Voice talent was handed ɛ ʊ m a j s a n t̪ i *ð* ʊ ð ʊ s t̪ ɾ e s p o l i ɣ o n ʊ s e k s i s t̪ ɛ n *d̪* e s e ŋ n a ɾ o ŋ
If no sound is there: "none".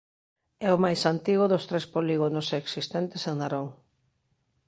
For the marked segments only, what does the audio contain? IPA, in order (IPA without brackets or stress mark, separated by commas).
ɣ, t̪